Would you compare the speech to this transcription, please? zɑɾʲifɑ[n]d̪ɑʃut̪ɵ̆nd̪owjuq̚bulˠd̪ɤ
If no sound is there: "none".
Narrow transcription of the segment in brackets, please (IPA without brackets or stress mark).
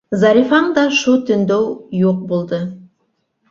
ɴ